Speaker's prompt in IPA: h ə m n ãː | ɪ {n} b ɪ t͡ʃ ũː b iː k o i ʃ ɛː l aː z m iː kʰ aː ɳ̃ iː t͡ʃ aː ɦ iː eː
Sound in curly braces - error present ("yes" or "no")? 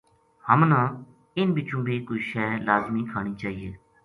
no